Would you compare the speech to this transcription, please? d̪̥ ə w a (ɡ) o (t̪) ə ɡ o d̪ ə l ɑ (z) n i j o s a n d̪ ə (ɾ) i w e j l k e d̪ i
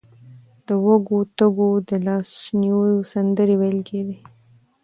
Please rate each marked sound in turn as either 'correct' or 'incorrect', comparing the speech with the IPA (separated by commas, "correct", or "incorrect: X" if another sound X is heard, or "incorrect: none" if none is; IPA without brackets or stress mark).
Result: correct, correct, incorrect: s, correct